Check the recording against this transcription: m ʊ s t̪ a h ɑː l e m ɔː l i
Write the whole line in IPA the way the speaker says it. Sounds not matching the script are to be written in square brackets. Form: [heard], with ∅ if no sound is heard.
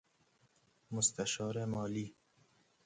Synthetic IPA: m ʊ s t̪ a [ʃ] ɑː [ɾ] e m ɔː l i